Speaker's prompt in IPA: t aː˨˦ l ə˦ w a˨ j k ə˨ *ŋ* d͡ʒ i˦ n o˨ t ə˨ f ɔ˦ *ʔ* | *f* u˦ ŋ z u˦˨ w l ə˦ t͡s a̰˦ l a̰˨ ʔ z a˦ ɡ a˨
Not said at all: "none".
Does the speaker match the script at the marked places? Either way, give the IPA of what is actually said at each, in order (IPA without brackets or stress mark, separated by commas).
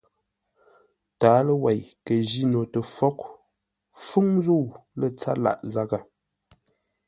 none, k, f